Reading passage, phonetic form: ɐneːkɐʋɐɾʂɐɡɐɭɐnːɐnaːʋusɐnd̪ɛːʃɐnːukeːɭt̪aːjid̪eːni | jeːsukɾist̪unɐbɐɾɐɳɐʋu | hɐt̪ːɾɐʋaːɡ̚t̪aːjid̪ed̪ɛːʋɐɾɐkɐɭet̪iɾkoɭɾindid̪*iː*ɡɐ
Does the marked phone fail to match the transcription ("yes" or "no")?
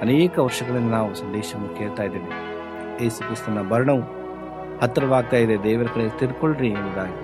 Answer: yes